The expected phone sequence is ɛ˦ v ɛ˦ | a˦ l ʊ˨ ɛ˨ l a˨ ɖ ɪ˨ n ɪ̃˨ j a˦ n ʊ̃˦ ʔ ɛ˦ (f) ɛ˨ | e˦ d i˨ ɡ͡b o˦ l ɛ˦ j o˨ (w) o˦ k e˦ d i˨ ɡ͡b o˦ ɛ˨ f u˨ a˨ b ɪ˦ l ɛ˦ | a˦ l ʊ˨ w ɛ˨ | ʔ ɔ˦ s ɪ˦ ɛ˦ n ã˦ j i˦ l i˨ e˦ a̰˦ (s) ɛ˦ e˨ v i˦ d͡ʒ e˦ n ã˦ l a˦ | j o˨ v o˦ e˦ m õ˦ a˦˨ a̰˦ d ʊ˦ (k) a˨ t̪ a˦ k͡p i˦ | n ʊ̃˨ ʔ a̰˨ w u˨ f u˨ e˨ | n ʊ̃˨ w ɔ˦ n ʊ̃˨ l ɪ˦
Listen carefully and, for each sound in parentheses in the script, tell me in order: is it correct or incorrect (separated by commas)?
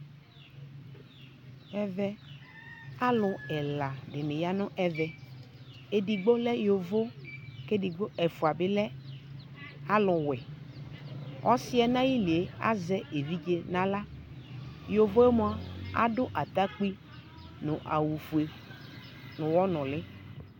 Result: incorrect, incorrect, incorrect, incorrect